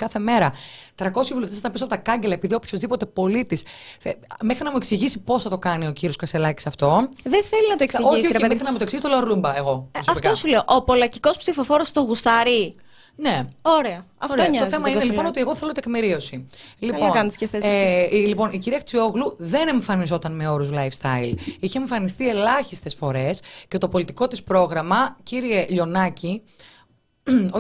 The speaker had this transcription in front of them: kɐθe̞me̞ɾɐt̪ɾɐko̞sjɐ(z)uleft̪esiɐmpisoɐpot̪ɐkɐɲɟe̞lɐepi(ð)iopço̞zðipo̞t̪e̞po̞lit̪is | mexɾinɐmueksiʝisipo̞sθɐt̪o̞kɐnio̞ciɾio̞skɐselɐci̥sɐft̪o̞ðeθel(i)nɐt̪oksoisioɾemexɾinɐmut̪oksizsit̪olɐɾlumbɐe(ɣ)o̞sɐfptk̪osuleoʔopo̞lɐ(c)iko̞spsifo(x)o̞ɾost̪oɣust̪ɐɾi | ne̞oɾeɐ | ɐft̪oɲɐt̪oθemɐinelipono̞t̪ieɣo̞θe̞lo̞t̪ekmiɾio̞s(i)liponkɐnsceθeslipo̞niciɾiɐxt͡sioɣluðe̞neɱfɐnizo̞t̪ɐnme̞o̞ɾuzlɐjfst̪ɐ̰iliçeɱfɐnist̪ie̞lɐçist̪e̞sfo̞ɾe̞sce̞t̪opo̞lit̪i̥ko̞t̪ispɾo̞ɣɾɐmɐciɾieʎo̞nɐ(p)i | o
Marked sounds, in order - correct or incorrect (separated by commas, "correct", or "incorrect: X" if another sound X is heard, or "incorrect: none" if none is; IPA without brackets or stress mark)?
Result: incorrect: v, correct, correct, correct, correct, incorrect: f, correct, incorrect: c